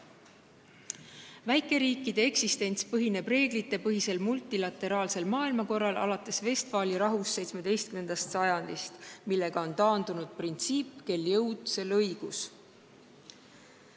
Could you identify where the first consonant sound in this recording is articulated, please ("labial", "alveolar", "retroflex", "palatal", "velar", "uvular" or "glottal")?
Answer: labial